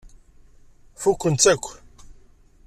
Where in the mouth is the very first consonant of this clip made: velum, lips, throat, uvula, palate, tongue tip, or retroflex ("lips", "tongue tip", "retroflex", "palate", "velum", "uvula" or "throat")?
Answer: lips